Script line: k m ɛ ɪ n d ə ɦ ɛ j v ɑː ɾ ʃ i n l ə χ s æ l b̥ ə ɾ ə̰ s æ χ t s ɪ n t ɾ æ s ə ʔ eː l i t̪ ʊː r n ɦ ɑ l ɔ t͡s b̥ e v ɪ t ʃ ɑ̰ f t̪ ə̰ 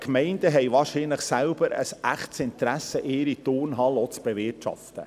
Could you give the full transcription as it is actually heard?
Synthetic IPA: k m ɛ ɪ n d ə ɦ ɛ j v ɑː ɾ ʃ i n l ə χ s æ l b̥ ə ɾ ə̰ s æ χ t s ɪ n t ɾ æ s ə ʔ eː ɾ i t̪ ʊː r n ɦ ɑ l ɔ t͡s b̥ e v ɪ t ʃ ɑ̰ f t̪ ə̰

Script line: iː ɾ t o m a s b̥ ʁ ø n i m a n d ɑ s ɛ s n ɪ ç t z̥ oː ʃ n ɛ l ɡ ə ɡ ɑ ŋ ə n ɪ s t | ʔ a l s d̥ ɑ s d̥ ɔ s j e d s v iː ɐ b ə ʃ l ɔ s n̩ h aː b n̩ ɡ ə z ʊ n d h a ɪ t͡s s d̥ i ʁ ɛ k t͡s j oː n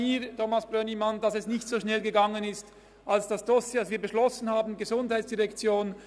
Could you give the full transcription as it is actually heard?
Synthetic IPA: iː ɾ t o m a s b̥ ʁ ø n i m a n d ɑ s ɛ s n ɪ ç t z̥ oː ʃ n ɛ l ɡ ə ɡ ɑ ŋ ə n ɪ s t | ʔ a l s d̥ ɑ s d̥ ɔ s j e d s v iː ɐ b ə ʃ l ɔ s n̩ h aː b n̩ ɡ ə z ʊ n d h a ɪ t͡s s d̥ i ʁ ɛ k t͡s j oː n

